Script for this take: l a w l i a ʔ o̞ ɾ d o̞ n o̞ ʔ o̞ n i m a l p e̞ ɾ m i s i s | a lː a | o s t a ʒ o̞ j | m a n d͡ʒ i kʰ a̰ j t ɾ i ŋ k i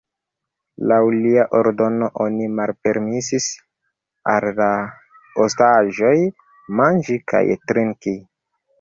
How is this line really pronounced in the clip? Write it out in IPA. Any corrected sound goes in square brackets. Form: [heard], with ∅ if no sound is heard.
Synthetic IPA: l a w l i a ʔ o̞ ɾ d o̞ n o̞ ʔ o̞ n i m a l p e̞ ɾ m i s i s | a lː a | o s t a ʒ o̞ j | m a n d͡ʒ i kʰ a̰ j t ɾ i ŋ k i